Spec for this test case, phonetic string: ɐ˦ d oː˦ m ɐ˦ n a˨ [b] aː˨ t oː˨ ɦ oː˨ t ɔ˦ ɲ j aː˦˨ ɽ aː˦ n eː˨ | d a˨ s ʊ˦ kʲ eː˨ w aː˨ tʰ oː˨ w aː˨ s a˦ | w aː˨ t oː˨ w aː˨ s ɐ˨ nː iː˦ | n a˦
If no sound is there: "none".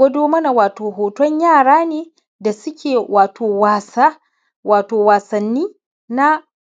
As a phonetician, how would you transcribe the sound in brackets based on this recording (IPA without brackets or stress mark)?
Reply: w